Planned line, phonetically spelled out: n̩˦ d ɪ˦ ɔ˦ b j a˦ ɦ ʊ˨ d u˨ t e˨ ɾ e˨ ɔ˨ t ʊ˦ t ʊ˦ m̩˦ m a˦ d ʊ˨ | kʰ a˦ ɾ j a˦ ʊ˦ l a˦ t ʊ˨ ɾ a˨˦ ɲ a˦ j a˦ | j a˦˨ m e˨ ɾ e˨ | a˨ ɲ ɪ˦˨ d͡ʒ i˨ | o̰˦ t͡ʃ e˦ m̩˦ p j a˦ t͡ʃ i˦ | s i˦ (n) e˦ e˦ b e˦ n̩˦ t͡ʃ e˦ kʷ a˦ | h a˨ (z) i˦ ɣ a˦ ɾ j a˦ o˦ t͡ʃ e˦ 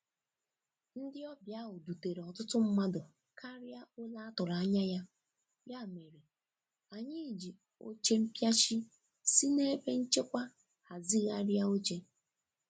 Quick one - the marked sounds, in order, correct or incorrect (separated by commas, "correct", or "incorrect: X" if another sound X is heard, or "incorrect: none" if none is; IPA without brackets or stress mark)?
correct, correct